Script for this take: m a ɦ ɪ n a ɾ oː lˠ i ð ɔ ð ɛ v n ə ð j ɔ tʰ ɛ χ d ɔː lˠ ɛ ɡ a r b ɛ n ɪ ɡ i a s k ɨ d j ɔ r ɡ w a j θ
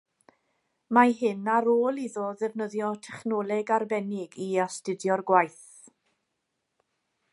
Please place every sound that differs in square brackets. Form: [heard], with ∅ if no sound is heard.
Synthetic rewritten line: m a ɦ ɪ n a ɾ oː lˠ i ð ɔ ð ɛ v n ə ð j ɔ tʰ ɛ χ [n] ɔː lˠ ɛ ɡ a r b ɛ n ɪ ɡ i a s [t] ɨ d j ɔ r ɡ w a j θ